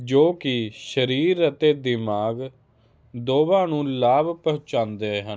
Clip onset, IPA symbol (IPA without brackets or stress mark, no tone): d͡ʒ